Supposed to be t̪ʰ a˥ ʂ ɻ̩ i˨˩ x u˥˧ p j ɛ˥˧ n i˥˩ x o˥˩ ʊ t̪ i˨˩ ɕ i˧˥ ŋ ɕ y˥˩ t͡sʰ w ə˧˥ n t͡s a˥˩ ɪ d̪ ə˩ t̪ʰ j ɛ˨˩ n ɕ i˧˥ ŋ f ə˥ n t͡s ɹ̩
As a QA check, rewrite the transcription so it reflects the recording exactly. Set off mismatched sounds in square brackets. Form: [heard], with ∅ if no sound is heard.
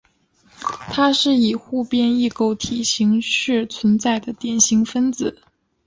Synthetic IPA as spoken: t̪ʰ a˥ ʂ ɻ̩ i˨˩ x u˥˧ p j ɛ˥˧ n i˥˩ [k] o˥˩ ʊ [t̪ʰ] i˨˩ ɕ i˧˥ ŋ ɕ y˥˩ t͡sʰ w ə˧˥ n t͡s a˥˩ ɪ d̪ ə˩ [t̪] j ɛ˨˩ n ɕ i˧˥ ŋ f ə˥ n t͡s ɹ̩